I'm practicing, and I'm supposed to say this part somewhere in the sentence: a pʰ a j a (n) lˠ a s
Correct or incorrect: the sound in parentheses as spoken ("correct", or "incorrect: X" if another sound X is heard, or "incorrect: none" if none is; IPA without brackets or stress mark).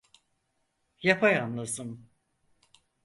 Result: correct